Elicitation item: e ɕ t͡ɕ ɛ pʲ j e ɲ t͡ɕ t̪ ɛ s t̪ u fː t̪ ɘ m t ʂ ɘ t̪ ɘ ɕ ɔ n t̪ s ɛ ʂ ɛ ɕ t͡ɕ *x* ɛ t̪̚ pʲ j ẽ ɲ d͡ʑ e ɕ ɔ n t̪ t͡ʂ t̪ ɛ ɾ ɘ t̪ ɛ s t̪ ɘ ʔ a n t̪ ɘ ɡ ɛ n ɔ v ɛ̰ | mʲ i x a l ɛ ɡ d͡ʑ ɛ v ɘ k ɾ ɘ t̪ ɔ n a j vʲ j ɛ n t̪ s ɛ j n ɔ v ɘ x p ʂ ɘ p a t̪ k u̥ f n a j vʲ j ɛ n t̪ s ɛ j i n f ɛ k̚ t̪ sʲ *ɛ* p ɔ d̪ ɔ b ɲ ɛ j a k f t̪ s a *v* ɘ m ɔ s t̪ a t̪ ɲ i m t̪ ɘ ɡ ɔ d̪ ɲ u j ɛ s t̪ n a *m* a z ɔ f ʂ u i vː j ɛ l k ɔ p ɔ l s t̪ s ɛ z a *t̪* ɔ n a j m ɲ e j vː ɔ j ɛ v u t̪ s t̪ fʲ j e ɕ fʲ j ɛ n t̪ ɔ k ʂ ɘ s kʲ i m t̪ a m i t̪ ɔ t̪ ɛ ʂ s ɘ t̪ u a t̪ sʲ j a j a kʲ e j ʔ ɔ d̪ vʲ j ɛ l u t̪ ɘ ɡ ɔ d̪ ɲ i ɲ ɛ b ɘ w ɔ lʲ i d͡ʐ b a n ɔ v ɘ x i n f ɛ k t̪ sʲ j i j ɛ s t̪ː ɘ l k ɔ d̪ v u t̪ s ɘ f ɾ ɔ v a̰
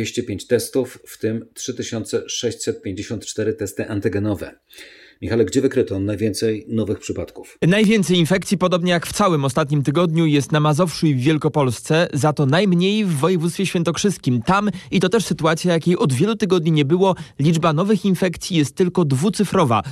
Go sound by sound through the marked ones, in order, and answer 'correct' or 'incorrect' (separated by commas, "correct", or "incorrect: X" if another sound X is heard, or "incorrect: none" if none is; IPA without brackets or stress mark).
incorrect: s, incorrect: i, incorrect: w, correct, correct